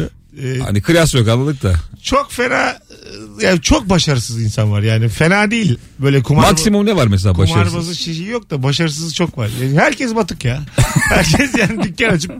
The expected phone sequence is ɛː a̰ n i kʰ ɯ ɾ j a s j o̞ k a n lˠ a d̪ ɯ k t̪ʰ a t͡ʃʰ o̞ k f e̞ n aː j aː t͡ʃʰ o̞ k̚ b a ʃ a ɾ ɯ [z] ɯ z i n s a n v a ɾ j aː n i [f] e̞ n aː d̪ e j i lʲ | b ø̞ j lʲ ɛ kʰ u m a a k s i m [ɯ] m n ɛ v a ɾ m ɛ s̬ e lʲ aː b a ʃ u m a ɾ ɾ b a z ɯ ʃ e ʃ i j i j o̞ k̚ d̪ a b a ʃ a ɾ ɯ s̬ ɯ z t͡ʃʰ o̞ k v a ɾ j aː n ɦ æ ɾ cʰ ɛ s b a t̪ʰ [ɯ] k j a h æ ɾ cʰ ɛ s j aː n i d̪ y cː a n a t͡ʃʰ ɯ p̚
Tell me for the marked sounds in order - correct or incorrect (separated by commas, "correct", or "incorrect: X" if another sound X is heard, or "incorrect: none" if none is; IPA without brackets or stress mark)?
incorrect: s, correct, incorrect: u, correct